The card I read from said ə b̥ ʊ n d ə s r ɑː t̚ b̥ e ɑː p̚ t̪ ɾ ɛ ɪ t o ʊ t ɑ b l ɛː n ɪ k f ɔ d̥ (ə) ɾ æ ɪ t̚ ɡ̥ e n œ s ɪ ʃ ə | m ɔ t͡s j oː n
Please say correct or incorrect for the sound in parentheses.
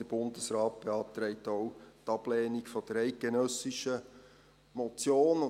correct